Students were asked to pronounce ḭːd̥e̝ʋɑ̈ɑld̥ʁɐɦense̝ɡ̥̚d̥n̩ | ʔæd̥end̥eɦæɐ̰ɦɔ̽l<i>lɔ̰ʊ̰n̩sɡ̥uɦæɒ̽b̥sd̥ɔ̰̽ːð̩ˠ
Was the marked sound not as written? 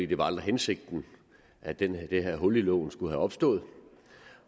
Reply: no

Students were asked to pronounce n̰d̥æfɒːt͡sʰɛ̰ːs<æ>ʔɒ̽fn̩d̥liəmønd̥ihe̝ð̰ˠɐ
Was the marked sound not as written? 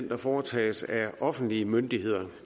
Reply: no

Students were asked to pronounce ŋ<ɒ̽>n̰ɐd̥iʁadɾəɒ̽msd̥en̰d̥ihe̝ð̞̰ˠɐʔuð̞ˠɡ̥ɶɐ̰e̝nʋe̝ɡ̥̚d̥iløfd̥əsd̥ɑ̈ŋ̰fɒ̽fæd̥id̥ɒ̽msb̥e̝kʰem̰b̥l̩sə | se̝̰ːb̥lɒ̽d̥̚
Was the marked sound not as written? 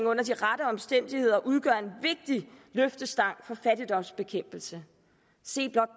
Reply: yes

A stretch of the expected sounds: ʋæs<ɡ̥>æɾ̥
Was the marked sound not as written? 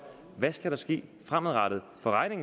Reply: no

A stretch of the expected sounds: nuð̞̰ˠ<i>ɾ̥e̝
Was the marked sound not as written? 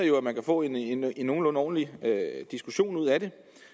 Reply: yes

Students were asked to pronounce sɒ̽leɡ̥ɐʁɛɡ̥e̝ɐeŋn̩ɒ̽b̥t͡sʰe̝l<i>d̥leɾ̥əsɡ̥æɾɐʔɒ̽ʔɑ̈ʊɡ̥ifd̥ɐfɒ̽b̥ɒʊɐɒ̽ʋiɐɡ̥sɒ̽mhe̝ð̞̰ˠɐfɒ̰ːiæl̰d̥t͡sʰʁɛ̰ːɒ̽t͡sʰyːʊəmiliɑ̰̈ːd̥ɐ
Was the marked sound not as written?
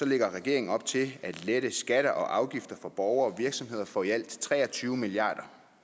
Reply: yes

